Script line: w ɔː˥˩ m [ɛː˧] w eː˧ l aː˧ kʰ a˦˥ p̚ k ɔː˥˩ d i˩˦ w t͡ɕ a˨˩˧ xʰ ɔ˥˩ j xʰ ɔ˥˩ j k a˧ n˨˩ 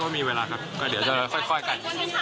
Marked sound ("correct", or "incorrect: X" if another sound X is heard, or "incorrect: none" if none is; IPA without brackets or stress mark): incorrect: iː˧